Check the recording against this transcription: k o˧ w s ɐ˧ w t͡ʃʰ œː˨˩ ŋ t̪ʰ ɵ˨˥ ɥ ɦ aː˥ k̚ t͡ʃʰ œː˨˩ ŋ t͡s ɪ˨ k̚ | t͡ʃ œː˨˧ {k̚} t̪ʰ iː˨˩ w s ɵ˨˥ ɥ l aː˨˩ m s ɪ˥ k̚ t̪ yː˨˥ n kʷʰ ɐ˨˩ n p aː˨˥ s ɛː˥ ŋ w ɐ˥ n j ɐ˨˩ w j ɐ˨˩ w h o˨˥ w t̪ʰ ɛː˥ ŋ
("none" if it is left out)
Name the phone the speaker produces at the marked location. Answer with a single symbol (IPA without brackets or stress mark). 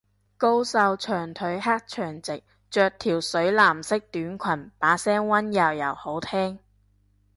k̚